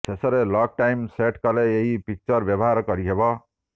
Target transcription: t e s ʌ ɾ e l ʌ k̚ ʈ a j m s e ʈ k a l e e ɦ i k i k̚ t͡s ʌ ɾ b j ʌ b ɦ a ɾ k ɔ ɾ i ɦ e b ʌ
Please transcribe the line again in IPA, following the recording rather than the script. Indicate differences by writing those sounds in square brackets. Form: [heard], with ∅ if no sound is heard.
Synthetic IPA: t e s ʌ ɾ e l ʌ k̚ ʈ a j m s e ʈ k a l e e ɦ i [p] i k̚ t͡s ʌ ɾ b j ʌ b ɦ a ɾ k [ʌ] ɾ i ɦ e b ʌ